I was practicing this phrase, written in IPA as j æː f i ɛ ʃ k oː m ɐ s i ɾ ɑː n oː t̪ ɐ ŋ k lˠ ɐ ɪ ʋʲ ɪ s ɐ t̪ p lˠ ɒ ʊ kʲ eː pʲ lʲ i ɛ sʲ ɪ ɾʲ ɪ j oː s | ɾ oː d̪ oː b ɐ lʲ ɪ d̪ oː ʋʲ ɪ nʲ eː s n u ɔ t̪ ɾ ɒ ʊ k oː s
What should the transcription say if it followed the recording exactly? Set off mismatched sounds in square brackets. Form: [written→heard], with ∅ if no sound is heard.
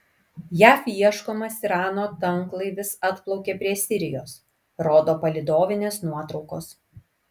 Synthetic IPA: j æː f i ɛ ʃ k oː m ɐ s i ɾ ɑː n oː t̪ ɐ ŋ k lˠ ɐ ɪ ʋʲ ɪ s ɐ t̪ p lˠ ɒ ʊ kʲ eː pʲ [lʲ→ɾʲ] i ɛ sʲ ɪ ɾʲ ɪ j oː s | ɾ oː d̪ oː [b→p] ɐ lʲ ɪ d̪ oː ʋʲ ɪ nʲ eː s n u ɔ t̪ ɾ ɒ ʊ k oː s